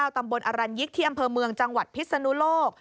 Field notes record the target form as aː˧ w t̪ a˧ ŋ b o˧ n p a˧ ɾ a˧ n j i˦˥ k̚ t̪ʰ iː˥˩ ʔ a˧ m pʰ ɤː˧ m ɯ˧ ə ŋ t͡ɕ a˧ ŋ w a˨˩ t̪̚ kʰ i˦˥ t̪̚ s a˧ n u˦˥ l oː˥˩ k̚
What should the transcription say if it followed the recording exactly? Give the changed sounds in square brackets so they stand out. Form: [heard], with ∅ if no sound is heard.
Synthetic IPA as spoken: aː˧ w t̪ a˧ [m] b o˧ n [ʔ] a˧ ɾ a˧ n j i˦˥ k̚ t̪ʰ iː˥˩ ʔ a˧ m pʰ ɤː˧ m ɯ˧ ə ŋ t͡ɕ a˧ ŋ w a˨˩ t̪̚ [pʰ] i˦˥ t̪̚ s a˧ n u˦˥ l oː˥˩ k̚